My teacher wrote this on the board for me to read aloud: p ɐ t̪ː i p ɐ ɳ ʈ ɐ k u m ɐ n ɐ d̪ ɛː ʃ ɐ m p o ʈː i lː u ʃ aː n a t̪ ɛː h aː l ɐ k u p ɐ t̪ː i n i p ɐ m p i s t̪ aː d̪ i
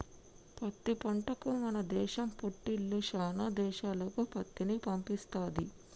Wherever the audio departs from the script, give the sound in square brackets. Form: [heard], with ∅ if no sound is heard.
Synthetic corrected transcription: p ɐ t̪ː i p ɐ ɳ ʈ ɐ k u m ɐ n ɐ d̪ ɛː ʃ ɐ m p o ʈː i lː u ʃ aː n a [d̪] ɛː [ʃ] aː l ɐ k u p ɐ t̪ː i n i p ɐ m p i s t̪ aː d̪ i